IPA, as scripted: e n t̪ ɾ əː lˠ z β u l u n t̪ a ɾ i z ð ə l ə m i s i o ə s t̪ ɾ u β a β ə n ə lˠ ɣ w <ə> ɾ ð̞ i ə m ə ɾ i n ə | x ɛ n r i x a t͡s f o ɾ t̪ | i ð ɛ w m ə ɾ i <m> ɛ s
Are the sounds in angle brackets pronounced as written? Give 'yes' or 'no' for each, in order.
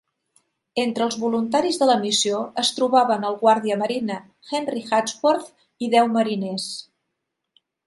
no, no

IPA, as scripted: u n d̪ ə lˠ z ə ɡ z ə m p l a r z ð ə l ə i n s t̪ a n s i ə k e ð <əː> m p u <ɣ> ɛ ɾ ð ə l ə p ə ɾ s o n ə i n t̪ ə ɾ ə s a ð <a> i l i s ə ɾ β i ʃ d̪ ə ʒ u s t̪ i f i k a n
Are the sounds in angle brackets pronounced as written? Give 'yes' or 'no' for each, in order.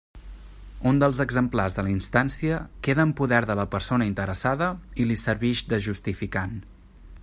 yes, no, no

